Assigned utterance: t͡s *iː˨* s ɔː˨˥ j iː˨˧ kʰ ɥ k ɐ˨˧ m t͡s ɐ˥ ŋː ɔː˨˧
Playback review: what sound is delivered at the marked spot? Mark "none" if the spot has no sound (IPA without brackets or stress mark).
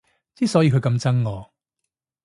iː˥